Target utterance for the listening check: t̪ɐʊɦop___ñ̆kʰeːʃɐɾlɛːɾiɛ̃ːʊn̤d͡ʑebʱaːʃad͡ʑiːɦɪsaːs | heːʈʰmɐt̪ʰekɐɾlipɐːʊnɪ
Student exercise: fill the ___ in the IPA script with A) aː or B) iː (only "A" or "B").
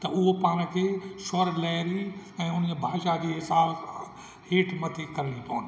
A